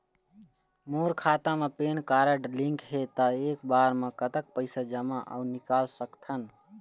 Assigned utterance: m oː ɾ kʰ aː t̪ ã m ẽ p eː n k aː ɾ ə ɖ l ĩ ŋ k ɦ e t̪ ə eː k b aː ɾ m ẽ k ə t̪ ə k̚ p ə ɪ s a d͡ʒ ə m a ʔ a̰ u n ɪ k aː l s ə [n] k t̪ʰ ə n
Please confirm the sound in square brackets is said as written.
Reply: no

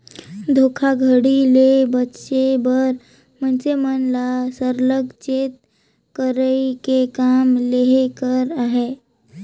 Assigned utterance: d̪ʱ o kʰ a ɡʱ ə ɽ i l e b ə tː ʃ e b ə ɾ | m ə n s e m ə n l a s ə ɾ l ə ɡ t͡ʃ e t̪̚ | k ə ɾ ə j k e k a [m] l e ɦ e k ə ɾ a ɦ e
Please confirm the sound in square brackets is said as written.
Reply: yes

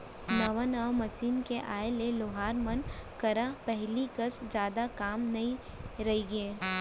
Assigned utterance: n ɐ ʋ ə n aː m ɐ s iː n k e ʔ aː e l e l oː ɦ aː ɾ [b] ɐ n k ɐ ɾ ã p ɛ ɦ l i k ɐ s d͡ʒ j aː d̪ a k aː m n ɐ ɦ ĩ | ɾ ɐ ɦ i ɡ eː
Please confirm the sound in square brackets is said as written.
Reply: no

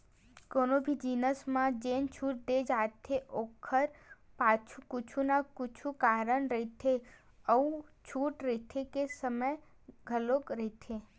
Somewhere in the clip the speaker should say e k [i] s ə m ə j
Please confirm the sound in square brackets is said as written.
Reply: no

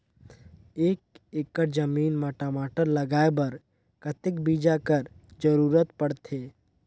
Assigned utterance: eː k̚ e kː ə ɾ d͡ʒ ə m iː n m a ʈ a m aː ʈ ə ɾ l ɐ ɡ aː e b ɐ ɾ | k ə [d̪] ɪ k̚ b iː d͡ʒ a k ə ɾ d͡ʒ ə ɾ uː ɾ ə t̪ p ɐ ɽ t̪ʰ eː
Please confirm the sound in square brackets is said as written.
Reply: no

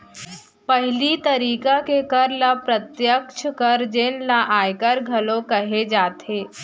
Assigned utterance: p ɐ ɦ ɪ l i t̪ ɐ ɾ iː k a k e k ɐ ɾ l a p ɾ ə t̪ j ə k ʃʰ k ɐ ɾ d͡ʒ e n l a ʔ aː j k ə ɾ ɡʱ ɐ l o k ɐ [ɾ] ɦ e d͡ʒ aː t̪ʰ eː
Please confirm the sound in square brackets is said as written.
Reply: no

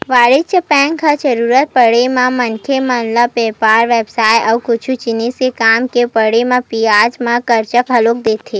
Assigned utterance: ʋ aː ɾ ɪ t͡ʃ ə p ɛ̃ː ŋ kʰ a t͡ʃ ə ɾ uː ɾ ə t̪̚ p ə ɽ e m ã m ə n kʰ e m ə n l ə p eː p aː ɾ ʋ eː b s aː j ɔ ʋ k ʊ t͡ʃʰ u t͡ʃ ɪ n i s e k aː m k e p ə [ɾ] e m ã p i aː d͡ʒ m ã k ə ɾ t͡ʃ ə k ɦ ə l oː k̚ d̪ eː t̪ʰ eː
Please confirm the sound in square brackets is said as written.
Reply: no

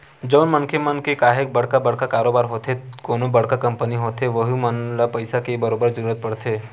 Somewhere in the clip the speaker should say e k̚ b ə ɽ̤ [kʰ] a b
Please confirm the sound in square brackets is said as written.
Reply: no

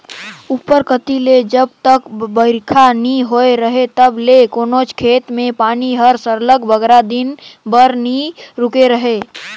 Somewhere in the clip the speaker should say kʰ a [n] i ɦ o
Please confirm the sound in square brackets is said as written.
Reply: yes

